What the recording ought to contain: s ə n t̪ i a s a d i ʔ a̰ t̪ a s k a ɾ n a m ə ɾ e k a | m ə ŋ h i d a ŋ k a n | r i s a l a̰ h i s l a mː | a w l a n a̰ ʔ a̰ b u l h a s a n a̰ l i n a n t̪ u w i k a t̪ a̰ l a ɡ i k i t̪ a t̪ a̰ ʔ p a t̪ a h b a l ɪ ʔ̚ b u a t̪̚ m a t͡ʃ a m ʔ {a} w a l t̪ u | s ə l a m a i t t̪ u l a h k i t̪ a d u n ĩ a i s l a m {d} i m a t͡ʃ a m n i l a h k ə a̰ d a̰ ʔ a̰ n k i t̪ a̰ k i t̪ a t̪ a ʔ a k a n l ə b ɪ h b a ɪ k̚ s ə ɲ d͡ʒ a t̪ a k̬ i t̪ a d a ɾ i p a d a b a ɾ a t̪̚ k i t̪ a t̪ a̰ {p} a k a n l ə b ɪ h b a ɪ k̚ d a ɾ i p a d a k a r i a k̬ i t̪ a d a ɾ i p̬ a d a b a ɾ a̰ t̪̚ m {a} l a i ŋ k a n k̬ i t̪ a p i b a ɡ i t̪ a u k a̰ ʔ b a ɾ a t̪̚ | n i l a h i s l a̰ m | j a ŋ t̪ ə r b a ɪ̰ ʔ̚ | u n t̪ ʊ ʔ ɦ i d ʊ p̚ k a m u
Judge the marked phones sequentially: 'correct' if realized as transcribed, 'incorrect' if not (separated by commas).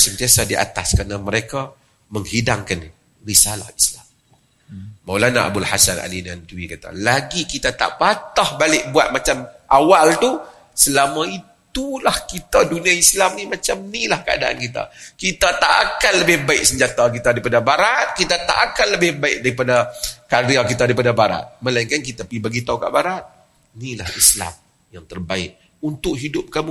correct, incorrect, incorrect, incorrect